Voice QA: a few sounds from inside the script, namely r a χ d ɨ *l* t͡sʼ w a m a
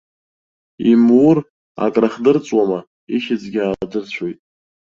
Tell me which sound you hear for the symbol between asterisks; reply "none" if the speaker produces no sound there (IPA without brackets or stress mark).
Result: r